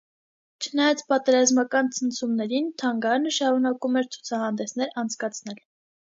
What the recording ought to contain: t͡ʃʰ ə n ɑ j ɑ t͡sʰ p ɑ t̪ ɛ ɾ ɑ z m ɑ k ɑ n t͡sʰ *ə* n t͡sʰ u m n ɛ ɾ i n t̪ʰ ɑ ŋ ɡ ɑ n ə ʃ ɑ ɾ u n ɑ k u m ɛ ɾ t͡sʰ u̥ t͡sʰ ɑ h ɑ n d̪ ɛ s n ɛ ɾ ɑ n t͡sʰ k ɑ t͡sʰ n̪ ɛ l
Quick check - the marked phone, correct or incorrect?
correct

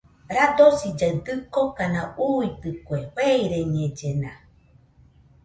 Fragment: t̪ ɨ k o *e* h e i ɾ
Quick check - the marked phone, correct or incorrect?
correct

